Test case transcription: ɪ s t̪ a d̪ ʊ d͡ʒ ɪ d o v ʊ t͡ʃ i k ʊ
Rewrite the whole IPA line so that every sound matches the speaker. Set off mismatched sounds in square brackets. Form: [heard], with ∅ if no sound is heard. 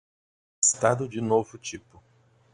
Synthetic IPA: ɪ s t̪ a d̪ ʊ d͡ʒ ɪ [n] o v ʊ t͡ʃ i [p] ʊ